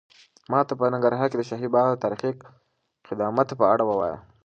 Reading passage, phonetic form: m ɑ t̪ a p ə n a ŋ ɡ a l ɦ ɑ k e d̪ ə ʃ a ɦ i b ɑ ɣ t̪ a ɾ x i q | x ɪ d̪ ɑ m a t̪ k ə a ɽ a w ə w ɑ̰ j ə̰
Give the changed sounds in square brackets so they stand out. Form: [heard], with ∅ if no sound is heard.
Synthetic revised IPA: m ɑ t̪ a p ə n a ŋ ɡ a [ɾ] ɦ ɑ k e d̪ ə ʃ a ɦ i b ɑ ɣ t̪ a ɾ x i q | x ɪ d̪ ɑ m a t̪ [p] ə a ɽ a w ə w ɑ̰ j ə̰